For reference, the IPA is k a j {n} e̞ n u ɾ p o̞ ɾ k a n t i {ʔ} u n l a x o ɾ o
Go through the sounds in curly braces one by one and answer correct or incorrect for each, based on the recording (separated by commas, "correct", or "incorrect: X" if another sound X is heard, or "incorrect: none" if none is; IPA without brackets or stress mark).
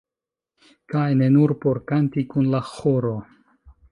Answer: correct, incorrect: k